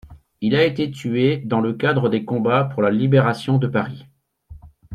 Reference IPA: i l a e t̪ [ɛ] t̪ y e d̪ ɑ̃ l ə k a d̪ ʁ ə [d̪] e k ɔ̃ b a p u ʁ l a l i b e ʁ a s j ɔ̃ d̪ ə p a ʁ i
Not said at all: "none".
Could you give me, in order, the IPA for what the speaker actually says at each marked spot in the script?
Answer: e, d̪

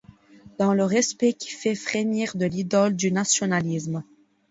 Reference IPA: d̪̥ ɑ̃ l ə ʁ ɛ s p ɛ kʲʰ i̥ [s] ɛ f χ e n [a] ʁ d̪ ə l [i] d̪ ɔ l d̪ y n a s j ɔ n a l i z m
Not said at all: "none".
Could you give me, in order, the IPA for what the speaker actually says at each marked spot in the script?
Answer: f, i, i

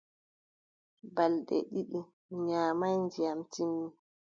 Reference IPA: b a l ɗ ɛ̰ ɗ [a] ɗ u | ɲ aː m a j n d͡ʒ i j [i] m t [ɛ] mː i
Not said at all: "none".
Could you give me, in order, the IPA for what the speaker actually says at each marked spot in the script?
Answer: i, a, i

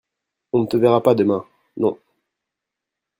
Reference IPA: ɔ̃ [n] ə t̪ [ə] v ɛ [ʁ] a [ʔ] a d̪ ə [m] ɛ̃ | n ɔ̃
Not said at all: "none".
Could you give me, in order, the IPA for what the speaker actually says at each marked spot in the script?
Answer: n, ə, ʁ, p, m

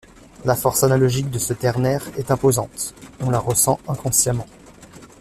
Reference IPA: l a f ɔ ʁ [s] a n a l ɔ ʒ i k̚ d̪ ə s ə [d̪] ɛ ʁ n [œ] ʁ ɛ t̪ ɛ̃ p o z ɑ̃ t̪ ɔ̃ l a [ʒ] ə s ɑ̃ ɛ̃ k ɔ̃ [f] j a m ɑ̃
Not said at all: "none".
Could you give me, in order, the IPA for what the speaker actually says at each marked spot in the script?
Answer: s, t̪, ɛ, ʁ, s

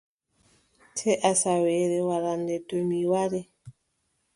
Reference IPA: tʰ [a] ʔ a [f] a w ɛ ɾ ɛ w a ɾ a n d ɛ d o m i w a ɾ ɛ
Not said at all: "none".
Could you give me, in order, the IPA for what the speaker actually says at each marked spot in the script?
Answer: ɛ, s

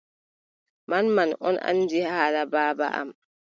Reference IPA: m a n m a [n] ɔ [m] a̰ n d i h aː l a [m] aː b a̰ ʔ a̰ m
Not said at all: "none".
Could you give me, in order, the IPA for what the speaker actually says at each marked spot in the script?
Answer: n, n, b

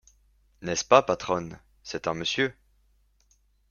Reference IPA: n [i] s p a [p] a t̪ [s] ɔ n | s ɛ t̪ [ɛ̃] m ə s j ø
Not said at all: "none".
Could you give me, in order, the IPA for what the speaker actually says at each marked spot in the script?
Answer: ɛ, p, χ, ɛ̃

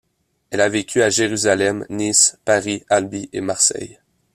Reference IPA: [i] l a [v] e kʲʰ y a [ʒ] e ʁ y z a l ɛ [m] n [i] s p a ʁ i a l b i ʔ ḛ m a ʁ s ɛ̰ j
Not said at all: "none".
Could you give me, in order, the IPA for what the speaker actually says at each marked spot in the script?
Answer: ɛ, v, ʒ, m, i

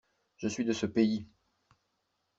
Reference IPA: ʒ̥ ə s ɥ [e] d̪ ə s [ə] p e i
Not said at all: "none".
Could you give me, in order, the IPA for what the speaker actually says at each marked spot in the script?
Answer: i, ə

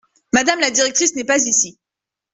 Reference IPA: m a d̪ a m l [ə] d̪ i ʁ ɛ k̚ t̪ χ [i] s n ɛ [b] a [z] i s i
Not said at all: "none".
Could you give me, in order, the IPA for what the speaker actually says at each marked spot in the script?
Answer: a, i, p, z

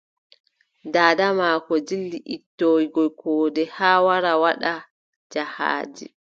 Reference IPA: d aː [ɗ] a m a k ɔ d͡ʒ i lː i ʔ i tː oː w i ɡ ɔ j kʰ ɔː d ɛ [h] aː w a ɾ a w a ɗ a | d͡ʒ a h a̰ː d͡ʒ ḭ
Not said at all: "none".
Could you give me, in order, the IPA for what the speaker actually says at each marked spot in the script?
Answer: d, h

